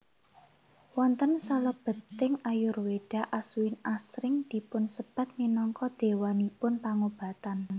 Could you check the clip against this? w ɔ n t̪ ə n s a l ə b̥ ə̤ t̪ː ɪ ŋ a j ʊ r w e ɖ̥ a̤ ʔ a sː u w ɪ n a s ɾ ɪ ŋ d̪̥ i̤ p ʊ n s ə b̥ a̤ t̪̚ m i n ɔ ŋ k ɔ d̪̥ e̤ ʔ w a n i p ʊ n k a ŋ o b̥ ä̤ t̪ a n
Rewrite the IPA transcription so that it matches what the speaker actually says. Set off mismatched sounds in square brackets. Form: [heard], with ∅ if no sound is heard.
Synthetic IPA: w ɔ n t̪ ə n s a l ə b̥ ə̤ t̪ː ɪ ŋ a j ʊ r w e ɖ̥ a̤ ʔ a [s] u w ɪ n a s ɾ ɪ ŋ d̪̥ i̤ p ʊ n s ə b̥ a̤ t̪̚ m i n ɔ ŋ k ɔ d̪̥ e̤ [∅] w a n i p ʊ n [p] a ŋ o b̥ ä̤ t̪ a n